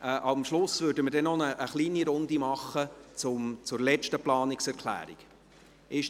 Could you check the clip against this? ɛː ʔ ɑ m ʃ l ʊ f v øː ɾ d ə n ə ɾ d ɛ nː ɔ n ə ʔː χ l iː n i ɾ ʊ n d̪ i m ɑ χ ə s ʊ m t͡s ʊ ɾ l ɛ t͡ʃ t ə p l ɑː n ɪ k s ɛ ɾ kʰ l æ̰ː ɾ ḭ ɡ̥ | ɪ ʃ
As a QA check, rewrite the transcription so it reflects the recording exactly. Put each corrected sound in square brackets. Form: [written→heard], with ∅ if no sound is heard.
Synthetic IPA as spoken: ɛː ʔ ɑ m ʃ l ʊ [f→s] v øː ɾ d ə [n→m] ə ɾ d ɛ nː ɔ n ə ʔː χ l iː n i ɾ ʊ n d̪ i m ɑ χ ə [s→t͡s] ʊ m t͡s ʊ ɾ l ɛ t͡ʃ t ə p l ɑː n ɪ k s ɛ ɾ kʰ l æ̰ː ɾ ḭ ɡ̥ | ɪ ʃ